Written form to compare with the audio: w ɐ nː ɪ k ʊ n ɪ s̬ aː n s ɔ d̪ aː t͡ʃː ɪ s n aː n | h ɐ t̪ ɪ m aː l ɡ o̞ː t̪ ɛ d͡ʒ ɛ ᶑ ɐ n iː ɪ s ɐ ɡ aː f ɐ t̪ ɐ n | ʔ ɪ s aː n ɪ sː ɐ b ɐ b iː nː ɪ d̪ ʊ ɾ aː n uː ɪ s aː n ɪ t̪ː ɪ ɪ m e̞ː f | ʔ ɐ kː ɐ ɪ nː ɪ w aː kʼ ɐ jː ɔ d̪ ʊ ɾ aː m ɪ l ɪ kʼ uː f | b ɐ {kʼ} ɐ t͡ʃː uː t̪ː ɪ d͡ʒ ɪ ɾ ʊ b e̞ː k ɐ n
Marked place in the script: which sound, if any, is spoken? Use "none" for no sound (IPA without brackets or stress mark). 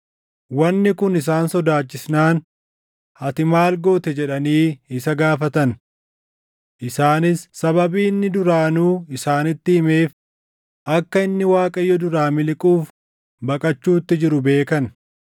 kʼ